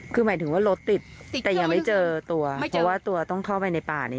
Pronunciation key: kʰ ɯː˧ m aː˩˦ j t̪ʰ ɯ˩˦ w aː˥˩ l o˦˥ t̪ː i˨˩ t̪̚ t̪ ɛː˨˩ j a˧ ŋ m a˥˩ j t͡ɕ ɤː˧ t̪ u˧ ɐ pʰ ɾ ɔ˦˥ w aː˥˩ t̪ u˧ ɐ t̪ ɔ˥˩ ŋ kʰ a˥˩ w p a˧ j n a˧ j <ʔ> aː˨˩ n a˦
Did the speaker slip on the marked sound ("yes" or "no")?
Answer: yes